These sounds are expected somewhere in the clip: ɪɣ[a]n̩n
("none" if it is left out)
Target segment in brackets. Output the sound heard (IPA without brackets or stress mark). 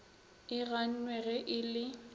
a